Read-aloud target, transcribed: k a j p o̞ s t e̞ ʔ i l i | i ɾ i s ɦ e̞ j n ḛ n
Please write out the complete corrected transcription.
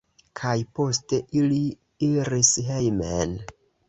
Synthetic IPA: kʰ a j p o̞ s t e̞ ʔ i l i | i ɾ i s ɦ e̞ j m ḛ n